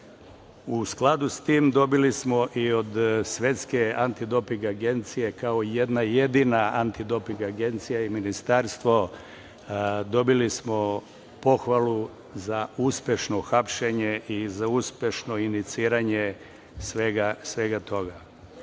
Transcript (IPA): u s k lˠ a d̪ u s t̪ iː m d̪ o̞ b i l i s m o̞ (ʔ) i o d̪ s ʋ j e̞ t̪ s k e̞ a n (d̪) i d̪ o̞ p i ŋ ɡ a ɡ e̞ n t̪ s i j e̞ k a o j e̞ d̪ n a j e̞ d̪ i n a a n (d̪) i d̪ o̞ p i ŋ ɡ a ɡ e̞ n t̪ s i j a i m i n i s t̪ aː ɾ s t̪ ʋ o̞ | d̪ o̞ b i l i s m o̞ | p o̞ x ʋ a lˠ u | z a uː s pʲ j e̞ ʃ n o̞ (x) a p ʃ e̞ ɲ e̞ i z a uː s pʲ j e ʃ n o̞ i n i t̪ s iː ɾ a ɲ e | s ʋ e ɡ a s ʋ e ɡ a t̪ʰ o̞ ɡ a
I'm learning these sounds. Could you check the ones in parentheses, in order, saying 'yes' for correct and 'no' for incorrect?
yes, no, no, yes

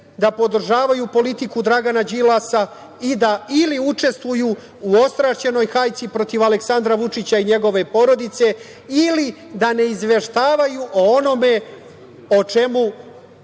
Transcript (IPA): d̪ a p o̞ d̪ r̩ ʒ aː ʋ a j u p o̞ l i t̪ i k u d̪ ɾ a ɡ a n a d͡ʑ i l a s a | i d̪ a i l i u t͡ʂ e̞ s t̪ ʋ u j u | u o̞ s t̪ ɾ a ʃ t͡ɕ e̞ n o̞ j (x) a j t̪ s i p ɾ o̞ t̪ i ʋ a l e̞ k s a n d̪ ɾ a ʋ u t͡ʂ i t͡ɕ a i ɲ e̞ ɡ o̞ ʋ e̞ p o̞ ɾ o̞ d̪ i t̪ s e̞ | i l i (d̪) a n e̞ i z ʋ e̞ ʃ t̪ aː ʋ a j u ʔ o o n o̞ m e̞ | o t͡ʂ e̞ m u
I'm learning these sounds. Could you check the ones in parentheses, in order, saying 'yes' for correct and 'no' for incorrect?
yes, yes

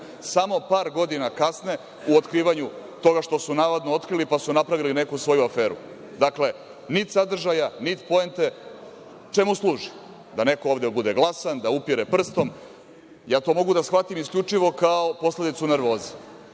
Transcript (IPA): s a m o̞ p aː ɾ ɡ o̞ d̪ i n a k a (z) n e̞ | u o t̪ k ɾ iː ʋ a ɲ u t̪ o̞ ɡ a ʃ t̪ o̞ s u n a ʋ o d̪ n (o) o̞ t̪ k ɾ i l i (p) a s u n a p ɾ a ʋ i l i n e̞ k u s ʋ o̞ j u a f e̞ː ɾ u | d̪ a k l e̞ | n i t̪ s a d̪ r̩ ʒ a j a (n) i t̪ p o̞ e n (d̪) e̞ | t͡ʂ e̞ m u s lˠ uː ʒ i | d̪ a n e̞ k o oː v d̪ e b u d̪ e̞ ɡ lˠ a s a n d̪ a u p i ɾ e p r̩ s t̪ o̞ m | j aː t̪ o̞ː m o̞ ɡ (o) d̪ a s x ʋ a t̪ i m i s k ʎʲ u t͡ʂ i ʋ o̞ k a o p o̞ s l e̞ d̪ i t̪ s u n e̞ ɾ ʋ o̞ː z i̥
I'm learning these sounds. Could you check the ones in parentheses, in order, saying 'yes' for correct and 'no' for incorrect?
no, yes, yes, yes, no, no

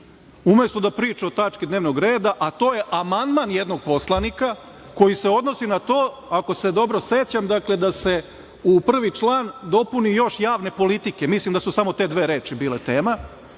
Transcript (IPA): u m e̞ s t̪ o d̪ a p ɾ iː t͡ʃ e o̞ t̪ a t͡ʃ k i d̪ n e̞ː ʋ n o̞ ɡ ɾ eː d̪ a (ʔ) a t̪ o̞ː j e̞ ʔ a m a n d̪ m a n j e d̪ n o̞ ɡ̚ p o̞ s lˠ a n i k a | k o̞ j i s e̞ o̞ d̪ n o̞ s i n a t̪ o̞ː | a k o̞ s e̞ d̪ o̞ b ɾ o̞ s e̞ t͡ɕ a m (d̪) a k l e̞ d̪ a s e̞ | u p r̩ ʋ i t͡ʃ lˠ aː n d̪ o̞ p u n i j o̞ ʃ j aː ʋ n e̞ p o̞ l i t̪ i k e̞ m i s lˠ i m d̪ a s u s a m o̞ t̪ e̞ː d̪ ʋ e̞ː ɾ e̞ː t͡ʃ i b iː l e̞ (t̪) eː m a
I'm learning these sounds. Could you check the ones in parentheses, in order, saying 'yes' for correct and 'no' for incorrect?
yes, yes, yes

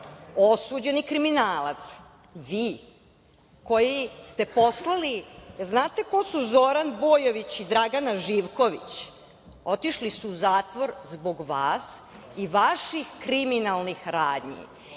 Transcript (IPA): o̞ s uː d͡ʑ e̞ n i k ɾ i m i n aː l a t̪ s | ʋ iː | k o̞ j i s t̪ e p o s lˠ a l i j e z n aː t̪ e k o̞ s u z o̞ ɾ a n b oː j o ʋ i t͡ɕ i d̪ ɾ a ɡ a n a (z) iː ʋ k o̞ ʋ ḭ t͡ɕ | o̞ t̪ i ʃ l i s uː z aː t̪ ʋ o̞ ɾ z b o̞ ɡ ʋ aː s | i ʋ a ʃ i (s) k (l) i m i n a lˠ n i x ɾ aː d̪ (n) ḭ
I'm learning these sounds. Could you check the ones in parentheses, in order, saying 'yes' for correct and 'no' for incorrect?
no, no, no, no

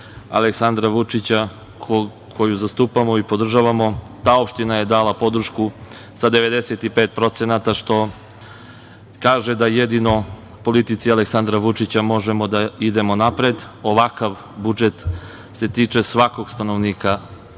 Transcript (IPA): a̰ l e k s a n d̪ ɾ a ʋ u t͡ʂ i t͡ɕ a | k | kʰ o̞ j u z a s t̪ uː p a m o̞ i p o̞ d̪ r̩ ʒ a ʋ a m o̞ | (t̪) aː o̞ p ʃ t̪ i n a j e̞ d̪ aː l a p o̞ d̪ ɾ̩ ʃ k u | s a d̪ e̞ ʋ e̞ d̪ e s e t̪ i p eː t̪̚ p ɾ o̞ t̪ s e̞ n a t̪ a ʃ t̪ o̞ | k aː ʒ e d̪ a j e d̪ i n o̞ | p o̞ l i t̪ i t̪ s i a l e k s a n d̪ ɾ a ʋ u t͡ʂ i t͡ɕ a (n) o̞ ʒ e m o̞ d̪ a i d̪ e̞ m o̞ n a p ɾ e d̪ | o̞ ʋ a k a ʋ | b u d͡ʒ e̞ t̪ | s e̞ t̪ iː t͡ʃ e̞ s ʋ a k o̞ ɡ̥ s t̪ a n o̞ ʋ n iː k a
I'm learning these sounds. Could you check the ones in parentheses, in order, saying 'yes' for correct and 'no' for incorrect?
yes, no

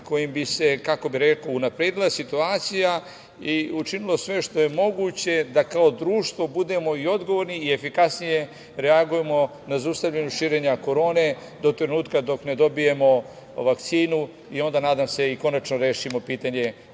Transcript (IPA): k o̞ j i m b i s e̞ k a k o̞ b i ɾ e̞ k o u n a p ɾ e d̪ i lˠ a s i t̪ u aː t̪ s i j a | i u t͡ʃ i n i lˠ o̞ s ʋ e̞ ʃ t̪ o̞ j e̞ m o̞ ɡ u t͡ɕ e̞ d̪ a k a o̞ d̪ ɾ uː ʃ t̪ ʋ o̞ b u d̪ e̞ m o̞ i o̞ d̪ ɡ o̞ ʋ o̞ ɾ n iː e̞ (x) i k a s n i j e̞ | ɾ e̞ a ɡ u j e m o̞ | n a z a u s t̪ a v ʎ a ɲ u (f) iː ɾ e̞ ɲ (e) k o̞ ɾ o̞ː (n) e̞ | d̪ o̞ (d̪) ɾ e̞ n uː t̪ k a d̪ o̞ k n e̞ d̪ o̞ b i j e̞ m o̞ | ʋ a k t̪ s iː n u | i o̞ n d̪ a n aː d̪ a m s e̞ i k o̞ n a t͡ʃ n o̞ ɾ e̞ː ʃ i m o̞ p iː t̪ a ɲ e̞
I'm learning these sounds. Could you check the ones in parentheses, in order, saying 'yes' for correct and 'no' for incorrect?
no, no, no, yes, no

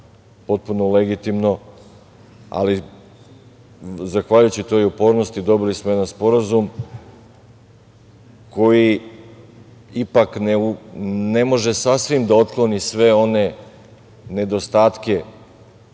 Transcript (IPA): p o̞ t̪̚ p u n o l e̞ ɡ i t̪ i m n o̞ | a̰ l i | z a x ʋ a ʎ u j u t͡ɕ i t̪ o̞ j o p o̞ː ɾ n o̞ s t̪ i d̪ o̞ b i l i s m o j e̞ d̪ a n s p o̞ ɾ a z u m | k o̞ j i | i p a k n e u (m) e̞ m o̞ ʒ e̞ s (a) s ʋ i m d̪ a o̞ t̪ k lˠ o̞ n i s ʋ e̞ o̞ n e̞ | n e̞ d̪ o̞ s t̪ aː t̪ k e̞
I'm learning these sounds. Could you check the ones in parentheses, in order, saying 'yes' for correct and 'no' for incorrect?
no, yes

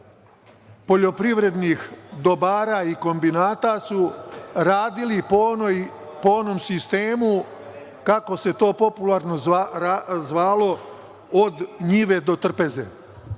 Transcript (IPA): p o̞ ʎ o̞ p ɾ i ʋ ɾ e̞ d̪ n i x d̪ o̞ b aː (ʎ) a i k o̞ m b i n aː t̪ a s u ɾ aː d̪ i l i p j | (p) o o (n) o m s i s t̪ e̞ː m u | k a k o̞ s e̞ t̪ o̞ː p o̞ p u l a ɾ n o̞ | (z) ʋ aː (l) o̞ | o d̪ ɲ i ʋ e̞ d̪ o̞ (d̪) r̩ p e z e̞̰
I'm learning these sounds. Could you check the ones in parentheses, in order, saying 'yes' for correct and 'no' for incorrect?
no, yes, yes, yes, yes, no

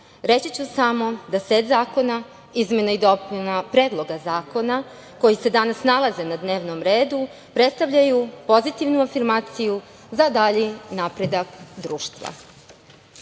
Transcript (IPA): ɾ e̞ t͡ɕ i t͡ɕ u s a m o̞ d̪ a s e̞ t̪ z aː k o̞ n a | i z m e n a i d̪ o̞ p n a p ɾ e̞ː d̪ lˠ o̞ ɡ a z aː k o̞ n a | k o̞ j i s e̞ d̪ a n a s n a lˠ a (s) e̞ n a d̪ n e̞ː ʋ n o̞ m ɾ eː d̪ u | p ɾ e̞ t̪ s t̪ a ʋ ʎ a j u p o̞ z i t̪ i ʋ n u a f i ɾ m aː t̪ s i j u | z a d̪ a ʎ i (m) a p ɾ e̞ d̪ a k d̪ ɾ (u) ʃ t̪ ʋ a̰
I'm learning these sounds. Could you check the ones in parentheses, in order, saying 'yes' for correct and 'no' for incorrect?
no, no, no

